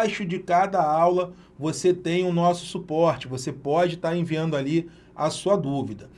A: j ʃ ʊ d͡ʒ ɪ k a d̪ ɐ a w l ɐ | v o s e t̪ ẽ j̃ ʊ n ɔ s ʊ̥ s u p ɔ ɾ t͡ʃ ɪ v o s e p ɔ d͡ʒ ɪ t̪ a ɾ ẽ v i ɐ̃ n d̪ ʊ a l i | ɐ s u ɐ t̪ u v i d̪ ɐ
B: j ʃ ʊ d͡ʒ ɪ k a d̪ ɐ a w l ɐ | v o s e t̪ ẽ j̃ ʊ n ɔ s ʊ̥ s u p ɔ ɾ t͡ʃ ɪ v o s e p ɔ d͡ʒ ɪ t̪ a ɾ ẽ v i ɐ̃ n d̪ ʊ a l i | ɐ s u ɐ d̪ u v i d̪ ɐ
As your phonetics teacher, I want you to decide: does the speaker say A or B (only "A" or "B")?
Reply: B